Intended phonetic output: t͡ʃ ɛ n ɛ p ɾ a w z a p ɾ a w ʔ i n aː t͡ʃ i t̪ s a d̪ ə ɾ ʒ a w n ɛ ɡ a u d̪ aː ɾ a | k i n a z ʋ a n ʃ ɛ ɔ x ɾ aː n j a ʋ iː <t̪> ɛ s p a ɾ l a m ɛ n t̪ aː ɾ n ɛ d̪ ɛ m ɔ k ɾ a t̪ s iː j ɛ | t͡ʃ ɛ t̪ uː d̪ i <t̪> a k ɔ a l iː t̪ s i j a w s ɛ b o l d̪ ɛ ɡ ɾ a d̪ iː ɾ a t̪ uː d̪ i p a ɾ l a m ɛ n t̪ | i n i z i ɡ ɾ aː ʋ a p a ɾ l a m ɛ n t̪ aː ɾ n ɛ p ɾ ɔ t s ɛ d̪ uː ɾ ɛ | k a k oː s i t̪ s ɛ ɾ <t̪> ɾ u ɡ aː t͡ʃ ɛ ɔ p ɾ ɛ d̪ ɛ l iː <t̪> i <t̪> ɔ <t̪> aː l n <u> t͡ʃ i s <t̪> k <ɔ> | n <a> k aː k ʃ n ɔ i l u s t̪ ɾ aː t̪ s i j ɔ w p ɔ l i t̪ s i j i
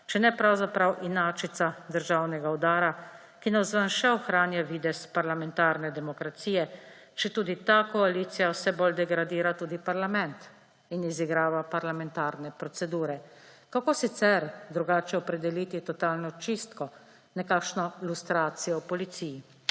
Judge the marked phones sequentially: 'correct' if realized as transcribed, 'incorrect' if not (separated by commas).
incorrect, correct, incorrect, correct, correct, correct, incorrect, correct, correct, incorrect